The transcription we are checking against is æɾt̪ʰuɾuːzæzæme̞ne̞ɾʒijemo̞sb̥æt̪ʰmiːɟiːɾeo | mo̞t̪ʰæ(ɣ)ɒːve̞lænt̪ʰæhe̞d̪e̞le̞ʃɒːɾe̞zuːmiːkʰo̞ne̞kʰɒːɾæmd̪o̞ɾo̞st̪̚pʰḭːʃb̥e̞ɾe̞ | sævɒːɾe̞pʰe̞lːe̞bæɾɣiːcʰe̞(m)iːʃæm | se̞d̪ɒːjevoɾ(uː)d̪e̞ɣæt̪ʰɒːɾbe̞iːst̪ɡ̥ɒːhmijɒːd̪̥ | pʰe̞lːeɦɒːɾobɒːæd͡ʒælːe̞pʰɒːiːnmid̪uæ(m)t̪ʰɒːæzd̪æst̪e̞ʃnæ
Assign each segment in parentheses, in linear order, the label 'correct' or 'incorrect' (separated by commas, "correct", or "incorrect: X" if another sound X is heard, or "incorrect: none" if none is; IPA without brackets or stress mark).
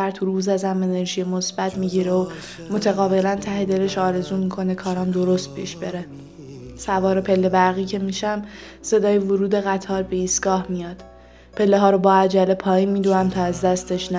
correct, correct, correct, correct